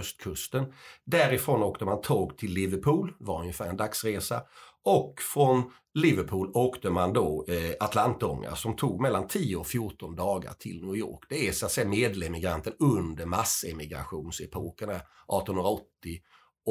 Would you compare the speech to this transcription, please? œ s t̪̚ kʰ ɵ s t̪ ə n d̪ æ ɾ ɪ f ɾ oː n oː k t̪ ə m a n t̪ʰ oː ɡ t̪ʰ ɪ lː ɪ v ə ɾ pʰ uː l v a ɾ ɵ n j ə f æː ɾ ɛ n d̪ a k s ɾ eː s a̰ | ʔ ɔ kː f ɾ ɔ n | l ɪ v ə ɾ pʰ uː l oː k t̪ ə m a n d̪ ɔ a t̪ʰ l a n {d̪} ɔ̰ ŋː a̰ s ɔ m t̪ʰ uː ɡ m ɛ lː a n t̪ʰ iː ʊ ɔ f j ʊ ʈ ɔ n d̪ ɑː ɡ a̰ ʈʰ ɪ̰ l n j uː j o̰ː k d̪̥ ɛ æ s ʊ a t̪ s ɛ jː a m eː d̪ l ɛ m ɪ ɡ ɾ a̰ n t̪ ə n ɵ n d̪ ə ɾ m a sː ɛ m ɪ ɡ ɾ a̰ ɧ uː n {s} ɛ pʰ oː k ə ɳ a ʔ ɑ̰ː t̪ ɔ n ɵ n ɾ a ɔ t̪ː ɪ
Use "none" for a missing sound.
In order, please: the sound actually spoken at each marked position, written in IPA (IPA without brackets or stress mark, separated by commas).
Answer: t̪, s